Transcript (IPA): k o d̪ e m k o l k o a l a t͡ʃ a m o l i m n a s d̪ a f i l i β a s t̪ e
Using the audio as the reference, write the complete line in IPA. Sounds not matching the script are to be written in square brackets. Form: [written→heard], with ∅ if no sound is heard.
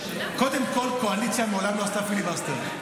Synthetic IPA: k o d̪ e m k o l k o a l [a→i] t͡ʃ a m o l [i→a] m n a s [d̪→t̪] a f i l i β a s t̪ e